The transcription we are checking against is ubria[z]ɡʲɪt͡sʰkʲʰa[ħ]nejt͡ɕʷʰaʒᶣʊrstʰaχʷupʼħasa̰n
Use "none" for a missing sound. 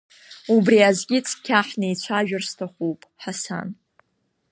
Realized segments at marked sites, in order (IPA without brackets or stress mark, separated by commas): z, ħ